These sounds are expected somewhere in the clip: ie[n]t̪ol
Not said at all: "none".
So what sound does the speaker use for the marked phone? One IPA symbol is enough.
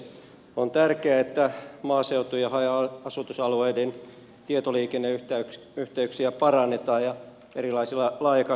none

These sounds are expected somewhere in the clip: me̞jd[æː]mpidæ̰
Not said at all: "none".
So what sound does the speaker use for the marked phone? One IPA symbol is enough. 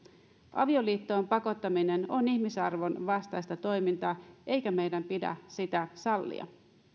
æ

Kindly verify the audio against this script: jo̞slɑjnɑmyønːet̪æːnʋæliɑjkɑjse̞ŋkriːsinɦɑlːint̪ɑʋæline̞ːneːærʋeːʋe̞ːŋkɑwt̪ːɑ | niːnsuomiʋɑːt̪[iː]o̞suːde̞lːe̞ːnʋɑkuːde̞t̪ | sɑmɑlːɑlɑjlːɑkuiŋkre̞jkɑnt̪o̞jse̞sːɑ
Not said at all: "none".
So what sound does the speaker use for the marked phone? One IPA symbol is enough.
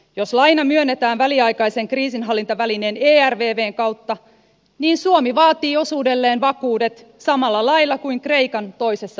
iː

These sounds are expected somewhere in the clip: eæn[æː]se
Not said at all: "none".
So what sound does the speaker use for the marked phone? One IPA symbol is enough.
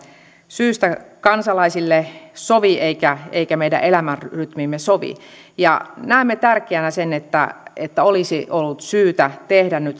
æ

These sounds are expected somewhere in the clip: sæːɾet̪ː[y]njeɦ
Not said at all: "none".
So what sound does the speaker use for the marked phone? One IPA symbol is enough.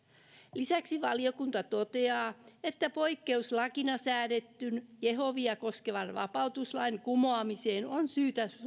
y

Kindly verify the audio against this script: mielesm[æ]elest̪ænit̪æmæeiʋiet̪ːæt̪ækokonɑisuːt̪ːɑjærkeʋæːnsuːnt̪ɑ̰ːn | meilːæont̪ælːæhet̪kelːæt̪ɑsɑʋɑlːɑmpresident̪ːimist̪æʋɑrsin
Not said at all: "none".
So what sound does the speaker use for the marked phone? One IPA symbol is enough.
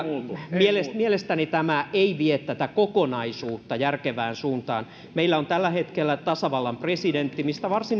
i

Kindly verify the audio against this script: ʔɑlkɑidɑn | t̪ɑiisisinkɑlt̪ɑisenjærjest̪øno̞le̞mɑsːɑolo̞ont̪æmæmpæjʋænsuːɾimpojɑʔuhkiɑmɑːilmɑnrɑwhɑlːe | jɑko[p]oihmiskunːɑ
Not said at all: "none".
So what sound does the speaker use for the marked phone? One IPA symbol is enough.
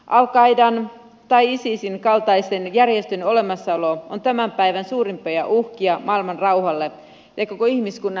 k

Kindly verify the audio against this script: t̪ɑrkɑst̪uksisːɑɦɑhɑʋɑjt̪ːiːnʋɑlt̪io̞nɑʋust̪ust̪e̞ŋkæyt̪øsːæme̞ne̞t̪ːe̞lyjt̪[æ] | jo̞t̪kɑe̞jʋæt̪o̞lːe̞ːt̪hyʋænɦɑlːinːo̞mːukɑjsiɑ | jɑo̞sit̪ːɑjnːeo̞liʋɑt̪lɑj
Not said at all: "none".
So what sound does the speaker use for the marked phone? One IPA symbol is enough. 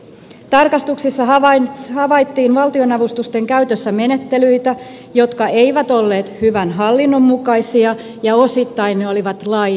æ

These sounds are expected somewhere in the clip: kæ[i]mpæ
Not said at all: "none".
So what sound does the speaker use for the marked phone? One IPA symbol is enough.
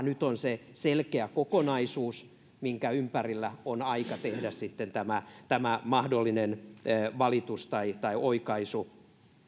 y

